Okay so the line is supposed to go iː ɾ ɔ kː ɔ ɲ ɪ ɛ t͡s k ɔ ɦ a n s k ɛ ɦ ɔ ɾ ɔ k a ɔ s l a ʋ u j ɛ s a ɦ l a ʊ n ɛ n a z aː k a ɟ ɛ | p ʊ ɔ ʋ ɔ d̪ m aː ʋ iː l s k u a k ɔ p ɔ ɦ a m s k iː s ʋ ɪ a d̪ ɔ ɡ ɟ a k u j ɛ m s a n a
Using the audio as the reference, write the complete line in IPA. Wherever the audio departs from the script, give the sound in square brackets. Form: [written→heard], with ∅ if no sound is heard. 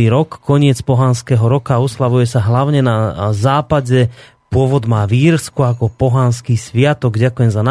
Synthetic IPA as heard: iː ɾ ɔ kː ɔ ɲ ɪ ɛ t͡s [k→p] ɔ ɦ a n s k ɛ ɦ ɔ ɾ ɔ k a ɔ s l a ʋ u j ɛ s a ɦ l a ʊ [n→ɲ] ɛ n a z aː [k→p] a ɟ ɛ | p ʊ ɔ ʋ ɔ d̪ m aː ʋ iː [l→ɾ] s k u a k ɔ p ɔ ɦ a [m→n] s k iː s ʋ ɪ a [d̪→t̪] ɔ ɡ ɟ a k u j ɛ m [s→z] a n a